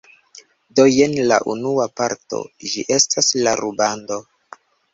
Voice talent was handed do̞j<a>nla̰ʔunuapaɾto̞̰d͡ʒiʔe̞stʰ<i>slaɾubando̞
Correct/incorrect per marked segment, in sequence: incorrect, incorrect

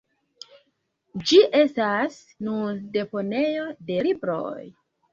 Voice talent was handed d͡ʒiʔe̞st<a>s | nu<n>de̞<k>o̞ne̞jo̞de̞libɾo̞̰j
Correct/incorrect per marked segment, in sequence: correct, correct, incorrect

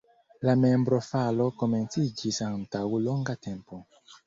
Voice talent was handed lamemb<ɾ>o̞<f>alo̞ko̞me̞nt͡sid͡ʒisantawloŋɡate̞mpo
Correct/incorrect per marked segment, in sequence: correct, correct

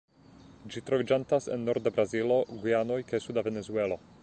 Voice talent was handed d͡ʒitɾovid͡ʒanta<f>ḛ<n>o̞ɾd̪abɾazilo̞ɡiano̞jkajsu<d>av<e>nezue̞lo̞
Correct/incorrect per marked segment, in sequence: incorrect, incorrect, correct, correct

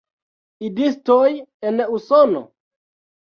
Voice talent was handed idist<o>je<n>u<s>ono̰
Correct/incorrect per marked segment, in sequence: correct, correct, correct

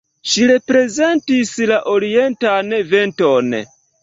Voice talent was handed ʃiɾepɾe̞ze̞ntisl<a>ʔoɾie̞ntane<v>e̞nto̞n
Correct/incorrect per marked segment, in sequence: correct, correct

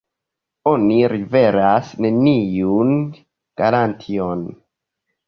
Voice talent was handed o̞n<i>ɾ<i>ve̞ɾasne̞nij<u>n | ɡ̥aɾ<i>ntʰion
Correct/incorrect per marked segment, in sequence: correct, correct, correct, incorrect

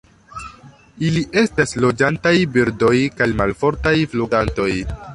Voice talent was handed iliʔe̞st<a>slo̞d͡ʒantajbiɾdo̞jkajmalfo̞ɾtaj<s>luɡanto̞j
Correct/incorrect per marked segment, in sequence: correct, incorrect

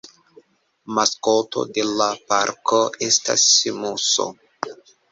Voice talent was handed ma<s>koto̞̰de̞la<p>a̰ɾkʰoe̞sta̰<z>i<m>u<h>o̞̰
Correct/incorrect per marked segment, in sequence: correct, correct, incorrect, correct, incorrect

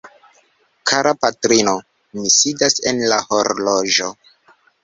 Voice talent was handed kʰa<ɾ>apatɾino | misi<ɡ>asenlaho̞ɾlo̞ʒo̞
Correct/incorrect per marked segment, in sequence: correct, incorrect

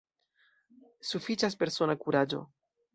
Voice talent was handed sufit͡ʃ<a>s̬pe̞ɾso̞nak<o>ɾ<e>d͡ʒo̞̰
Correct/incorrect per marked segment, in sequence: correct, incorrect, incorrect

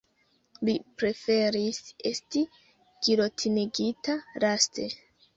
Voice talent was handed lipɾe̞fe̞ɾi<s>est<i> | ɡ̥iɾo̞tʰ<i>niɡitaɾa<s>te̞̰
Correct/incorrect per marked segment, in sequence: correct, correct, correct, correct

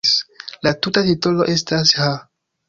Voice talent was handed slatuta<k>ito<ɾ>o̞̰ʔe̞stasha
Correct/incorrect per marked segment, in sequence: incorrect, incorrect

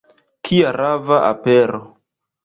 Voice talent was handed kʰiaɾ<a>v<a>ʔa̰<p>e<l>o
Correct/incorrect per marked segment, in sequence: correct, correct, correct, incorrect

